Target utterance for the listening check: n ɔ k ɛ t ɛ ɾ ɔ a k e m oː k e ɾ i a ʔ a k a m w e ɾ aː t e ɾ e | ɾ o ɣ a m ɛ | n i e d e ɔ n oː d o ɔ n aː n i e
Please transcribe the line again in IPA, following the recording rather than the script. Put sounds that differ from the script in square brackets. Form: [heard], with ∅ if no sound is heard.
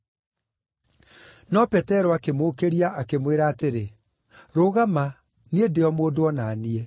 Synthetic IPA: n ɔ [p] ɛ t ɛ ɾ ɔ a k e m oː k e ɾ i a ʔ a k [e] m w e ɾ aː t e ɾ e | ɾ o ɣ a m [a] | n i e d e ɔ [m] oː d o ɔ n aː n i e